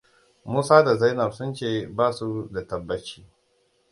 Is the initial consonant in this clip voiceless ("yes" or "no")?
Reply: no